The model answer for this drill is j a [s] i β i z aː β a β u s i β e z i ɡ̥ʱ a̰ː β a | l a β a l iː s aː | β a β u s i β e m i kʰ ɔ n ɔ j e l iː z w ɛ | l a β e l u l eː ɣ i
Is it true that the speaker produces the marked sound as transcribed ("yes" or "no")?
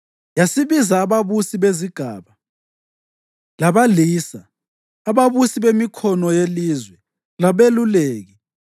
yes